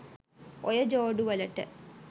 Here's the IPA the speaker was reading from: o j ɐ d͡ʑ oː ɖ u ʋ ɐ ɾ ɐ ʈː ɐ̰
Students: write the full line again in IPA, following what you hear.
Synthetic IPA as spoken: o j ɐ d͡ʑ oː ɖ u ʋ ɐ l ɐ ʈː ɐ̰